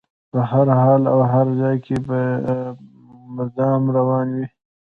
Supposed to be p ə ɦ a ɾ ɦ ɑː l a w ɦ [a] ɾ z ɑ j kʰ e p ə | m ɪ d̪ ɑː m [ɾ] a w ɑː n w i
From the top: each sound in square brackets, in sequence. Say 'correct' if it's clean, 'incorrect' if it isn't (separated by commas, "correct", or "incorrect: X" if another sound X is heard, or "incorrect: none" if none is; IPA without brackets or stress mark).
correct, correct